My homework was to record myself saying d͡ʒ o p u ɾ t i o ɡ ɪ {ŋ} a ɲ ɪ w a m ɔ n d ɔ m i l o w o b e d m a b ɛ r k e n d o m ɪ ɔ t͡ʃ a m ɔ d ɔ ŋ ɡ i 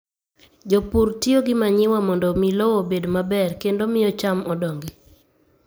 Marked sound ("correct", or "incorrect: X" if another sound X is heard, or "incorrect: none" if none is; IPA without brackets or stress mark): incorrect: m